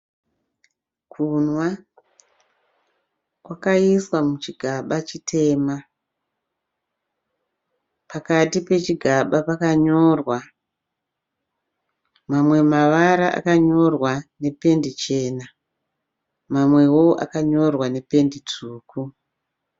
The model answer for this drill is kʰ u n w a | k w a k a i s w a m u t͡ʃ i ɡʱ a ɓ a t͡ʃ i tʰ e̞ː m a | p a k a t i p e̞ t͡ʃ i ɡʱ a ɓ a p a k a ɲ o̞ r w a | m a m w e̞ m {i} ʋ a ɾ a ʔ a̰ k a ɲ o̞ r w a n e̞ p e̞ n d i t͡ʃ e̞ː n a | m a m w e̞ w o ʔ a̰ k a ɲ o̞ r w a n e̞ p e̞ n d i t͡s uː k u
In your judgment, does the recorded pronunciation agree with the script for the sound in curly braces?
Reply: no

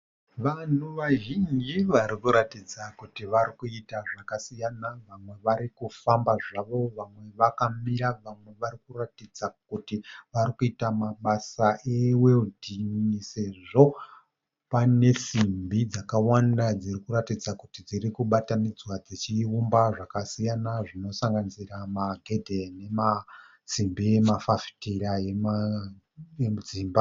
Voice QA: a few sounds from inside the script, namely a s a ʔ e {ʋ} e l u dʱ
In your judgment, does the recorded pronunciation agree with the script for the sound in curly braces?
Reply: no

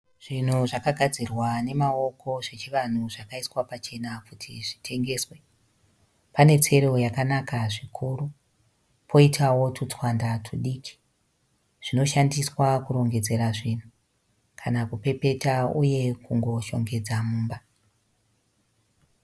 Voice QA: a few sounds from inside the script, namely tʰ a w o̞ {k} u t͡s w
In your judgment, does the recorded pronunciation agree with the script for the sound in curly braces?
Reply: no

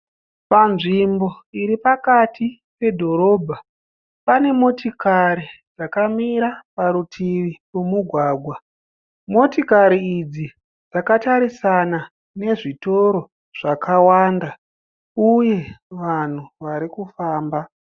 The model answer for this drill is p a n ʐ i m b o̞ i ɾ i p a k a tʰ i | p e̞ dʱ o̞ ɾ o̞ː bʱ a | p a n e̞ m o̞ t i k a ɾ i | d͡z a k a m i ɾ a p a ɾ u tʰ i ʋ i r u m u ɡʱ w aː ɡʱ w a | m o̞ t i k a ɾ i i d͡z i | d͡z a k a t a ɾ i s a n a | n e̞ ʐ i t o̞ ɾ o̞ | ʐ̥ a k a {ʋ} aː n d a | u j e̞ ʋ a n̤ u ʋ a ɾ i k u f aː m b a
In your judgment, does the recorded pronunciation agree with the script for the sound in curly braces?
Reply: no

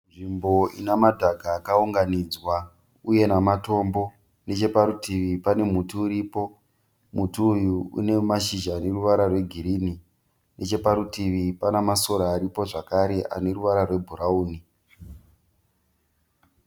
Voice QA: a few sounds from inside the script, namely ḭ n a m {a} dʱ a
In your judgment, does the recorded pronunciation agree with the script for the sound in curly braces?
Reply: yes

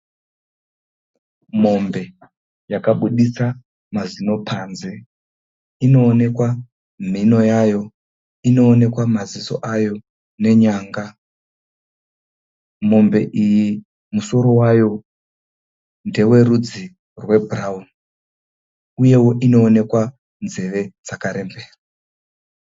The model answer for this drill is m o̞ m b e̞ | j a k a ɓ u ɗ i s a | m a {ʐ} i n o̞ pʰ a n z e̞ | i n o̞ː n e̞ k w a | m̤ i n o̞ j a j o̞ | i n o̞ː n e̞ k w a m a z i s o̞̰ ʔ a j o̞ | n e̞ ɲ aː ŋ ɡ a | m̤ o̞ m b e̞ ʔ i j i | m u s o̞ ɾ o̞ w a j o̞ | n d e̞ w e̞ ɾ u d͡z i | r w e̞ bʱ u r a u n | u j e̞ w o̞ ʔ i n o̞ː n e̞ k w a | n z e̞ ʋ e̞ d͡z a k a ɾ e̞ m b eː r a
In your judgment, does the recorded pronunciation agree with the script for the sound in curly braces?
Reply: no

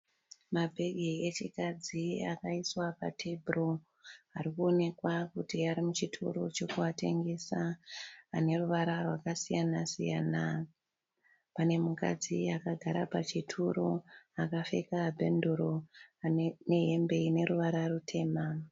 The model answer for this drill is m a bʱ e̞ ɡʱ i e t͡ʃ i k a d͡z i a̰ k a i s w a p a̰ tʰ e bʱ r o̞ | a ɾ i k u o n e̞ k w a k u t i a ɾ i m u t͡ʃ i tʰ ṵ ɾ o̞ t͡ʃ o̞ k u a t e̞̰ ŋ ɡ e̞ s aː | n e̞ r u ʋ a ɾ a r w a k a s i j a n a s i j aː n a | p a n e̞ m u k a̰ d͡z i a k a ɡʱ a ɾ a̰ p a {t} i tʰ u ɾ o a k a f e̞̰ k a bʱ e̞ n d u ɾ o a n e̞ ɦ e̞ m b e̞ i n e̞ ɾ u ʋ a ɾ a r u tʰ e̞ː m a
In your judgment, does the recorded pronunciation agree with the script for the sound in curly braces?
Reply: no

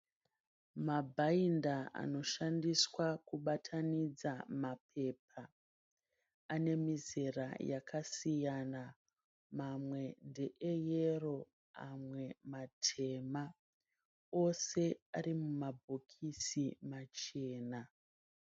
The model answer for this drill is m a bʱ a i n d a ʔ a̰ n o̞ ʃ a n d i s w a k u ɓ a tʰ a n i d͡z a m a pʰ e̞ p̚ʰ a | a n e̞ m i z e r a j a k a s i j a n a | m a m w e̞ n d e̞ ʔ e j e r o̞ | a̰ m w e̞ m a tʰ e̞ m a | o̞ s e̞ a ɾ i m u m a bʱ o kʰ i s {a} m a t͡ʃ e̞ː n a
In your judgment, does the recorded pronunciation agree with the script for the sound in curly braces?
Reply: no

